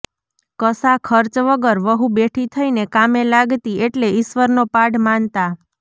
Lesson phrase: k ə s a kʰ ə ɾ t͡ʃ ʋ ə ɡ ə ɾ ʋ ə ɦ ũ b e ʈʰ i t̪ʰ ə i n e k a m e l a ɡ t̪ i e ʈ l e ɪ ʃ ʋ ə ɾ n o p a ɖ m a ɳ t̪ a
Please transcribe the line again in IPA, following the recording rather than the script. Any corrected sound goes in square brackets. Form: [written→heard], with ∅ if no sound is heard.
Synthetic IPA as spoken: k ə s a kʰ ə ɾ t͡ʃ ʋ ə ɡ ə ɾ ʋ ə ɦ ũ b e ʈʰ i t̪ʰ ə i n e k a m e l a ɡ t̪ i e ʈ l e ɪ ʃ ʋ ə ɾ n o p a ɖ m a [ɳ→n] t̪ a

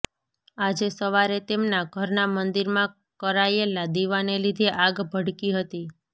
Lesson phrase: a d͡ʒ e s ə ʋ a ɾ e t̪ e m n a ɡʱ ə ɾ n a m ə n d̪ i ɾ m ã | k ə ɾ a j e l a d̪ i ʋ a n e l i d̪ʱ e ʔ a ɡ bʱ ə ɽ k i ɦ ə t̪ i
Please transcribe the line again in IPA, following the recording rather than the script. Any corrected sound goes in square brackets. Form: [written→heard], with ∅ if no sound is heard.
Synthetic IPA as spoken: a d͡ʒ e s ə ʋ a ɾ e t̪ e m n a ɡʱ ə ɾ n a m ə n d̪ i ɾ m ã | k ə ɾ a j e l a d̪ i ʋ a n e l i d̪ʱ e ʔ a ɡ bʱ ə ɽ k i ɦ ə t̪ i

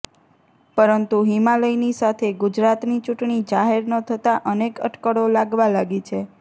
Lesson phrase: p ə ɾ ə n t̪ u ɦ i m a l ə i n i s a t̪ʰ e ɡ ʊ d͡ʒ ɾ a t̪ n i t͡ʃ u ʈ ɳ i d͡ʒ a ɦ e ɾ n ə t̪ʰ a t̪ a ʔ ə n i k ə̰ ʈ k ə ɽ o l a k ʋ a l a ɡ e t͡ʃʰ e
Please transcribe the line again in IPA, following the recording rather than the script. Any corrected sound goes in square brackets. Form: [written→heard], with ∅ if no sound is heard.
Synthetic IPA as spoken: p ə ɾ ə n t̪ u ɦ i m a l ə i n i s a t̪ʰ e ɡ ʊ d͡ʒ ɾ a t̪ n i t͡ʃ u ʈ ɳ i d͡ʒ a ɦ e ɾ n ə t̪ʰ [a→ə] t̪ a ʔ ə n [i→e] k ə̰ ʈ k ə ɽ o l a [k→ɡ] ʋ a l a ɡ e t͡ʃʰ e

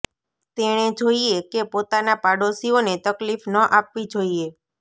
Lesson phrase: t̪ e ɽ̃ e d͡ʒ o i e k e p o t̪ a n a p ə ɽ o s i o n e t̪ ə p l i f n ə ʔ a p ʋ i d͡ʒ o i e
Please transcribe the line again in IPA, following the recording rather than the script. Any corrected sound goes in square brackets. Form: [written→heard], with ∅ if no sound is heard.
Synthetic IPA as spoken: t̪ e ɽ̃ e d͡ʒ o i e k e p o t̪ a n a p [ə→a] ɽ o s i o n e t̪ ə [p→k] l i f n ə ʔ a p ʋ i d͡ʒ o i e

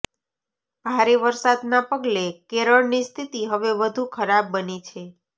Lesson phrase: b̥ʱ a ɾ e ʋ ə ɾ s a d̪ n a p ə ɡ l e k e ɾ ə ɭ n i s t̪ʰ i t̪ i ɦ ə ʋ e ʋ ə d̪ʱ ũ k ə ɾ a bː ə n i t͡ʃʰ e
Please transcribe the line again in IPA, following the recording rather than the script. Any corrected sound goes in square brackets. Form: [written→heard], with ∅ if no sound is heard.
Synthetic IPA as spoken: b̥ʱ a ɾ e ʋ ə ɾ s a d̪ n a p ə ɡ l e k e ɾ ə ɭ n i s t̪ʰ i t̪ i ɦ ə ʋ e ʋ ə d̪ʱ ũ [k→kʰ] ə ɾ a bː ə n i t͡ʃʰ e

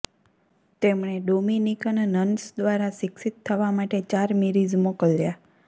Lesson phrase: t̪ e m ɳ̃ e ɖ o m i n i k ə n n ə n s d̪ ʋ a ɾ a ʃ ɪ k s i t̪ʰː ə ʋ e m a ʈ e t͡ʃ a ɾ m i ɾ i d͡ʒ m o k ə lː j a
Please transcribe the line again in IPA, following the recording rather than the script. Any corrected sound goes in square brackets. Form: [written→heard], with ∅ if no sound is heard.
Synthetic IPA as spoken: t̪ e m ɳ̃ e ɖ o m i n i k ə n n ə n s d̪ ʋ a ɾ a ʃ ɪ k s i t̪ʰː ə ʋ [e→a] m a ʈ e t͡ʃ a ɾ m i ɾ i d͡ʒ m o k ə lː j a

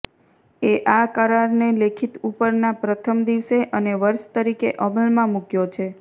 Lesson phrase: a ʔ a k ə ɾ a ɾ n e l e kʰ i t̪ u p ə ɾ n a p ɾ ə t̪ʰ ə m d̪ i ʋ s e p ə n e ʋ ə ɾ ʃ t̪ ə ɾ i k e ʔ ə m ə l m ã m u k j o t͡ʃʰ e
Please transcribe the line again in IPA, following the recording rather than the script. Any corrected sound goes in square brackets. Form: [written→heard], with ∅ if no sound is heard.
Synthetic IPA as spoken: [a→e] ʔ a k ə ɾ a ɾ n e l e kʰ i t̪ u p ə ɾ n a p ɾ ə t̪ʰ ə m d̪ i ʋ s e [p→ʔ] ə n e ʋ ə ɾ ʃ t̪ ə ɾ i k e ʔ ə m ə l m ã m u k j o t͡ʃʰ e

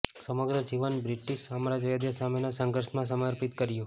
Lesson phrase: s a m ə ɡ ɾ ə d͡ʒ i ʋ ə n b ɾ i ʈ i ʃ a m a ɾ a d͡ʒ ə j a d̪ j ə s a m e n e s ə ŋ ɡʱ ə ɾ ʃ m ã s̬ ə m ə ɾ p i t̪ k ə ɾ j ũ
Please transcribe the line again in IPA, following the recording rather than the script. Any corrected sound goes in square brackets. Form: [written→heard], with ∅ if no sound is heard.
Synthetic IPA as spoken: s [a→ə] m ə ɡ ɾ ə d͡ʒ i ʋ ə n b ɾ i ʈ i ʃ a m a ɾ a d͡ʒ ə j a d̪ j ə s a m e n [e→a] s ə ŋ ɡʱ ə ɾ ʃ m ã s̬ ə m ə ɾ p i t̪ k ə ɾ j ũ

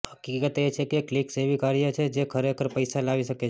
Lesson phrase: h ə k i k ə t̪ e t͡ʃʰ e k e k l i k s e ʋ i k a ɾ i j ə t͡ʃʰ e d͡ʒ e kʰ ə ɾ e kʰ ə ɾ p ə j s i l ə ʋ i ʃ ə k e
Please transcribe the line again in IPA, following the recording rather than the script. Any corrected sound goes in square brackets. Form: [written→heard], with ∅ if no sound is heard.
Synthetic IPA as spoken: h ə k i k ə t̪ e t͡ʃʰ e k e k l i k s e ʋ i k a ɾ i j ə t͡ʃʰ e d͡ʒ e kʰ ə ɾ e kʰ ə ɾ p ə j s [i→a] l [ə→a] ʋ i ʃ ə k e

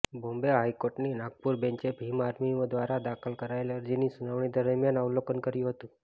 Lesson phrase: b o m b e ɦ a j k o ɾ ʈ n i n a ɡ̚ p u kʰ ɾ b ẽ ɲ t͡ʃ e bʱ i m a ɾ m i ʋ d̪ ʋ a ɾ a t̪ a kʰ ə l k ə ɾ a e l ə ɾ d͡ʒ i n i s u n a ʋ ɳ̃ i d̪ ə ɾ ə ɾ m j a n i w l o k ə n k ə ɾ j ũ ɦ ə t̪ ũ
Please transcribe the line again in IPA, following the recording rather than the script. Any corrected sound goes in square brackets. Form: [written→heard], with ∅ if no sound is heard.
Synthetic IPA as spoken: b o m b e ɦ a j k o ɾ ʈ n i n a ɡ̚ p u [kʰ→∅] ɾ b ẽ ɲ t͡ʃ e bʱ i m a ɾ m i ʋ d̪ ʋ a ɾ a [t̪→d̪] a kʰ ə l k ə ɾ a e l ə ɾ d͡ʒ i n i s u n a ʋ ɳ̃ i d̪ ə ɾ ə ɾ m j a n [i→a] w l o k ə n k ə ɾ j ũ ɦ ə t̪ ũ

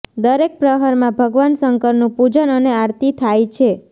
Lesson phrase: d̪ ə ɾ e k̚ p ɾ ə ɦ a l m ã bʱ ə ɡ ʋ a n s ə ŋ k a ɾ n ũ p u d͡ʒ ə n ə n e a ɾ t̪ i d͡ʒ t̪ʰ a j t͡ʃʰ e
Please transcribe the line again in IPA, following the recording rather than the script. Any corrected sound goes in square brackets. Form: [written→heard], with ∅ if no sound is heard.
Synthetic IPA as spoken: d̪ ə ɾ e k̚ p ɾ ə ɦ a [l→ɾ] m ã bʱ ə ɡ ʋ a n s ə ŋ k [a→ə] ɾ n ũ p u d͡ʒ ə n ə n e a ɾ t̪ i [d͡ʒ→∅] t̪ʰ a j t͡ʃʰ e

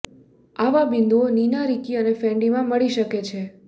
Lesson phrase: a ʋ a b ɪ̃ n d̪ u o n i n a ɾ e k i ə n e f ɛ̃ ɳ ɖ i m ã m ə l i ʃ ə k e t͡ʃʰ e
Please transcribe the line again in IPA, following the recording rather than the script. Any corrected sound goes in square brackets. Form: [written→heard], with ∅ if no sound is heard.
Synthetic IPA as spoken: a ʋ a b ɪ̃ n d̪ u o n i n a ɾ [e→i] k i ə n e f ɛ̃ ɳ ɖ i m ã m ə [l→ɭ] i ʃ ə k e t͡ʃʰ e

